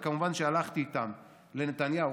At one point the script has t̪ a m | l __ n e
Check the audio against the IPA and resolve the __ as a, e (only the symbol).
e